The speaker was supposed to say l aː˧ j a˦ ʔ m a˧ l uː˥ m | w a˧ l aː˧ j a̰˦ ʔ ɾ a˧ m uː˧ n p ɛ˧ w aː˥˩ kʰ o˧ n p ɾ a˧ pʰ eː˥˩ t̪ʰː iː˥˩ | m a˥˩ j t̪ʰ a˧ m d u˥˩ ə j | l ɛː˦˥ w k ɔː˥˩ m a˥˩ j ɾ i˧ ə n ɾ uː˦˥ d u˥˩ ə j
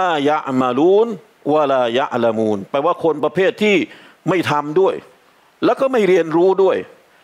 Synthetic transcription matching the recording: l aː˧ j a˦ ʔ m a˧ l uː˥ n | w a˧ l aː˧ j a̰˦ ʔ l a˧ m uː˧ n p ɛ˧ w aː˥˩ kʰ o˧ n p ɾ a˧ pʰ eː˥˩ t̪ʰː iː˥˩ | m a˥˩ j t̪ʰ a˧ m d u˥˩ ə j | l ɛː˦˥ w k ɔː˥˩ m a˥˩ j ɾ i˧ ə n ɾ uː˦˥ d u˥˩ ə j